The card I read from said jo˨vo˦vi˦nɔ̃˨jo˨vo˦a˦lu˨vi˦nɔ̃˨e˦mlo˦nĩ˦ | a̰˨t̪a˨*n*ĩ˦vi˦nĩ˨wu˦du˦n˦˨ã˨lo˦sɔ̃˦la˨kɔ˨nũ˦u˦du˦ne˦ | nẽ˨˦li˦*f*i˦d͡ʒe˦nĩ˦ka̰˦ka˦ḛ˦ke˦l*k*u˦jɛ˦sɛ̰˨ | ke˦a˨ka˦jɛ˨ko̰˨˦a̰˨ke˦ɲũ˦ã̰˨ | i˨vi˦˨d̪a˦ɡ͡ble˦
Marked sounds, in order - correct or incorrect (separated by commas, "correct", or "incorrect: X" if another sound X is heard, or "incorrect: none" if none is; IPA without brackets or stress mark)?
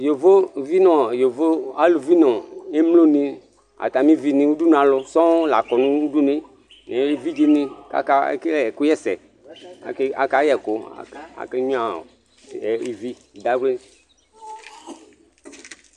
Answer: incorrect: m, incorrect: v, correct